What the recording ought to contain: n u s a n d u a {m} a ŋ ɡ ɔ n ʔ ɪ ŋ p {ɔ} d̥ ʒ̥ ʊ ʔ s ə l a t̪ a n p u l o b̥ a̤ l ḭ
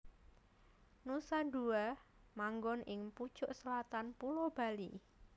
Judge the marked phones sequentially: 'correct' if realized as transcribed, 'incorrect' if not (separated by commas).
correct, incorrect